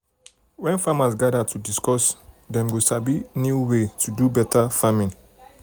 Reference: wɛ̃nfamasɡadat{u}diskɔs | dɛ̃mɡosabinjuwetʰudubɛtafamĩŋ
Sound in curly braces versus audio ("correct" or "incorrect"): correct